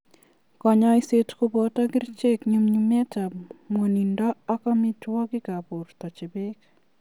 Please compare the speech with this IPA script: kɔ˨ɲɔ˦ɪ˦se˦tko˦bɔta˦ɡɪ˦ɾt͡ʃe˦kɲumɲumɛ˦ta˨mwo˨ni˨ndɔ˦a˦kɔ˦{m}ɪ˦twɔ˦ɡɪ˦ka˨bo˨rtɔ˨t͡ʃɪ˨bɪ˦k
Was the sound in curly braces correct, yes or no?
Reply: yes